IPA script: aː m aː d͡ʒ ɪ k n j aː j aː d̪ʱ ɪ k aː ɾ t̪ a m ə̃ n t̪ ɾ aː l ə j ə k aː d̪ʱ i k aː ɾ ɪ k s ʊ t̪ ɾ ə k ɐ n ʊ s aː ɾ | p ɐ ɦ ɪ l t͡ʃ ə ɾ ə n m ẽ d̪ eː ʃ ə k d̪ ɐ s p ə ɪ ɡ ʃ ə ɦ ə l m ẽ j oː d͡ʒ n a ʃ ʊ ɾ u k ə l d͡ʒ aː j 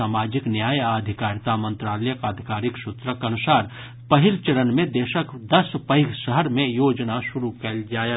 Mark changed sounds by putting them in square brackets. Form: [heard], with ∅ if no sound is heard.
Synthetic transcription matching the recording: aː m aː d͡ʒ ɪ k n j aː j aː d̪ʱ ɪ k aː ɾ t̪ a m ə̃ n t̪ ɾ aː l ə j ə k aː d̪ʱ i k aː ɾ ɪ k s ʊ t̪ ɾ ə k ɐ n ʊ s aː ɾ | p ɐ ɦ ɪ l t͡ʃ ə ɾ ə n m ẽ d̪ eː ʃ ə k d̪ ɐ s p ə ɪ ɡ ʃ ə ɦ ə [ɾ] m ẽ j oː d͡ʒ n a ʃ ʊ ɾ u k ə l d͡ʒ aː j